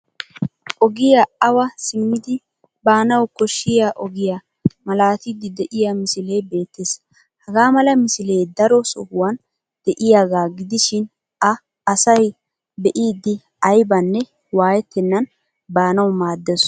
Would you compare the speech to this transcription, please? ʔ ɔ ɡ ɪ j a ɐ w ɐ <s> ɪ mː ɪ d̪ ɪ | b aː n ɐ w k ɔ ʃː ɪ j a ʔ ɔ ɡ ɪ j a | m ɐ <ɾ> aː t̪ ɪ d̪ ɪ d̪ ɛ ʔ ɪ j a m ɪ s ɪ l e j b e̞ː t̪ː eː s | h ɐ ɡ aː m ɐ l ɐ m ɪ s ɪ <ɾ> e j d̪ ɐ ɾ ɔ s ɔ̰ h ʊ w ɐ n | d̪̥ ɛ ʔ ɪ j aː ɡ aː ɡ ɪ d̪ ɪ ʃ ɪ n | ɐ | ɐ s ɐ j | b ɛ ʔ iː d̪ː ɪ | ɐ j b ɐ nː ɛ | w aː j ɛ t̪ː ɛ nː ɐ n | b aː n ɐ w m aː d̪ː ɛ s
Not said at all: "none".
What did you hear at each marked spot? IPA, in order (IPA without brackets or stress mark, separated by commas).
s, l, l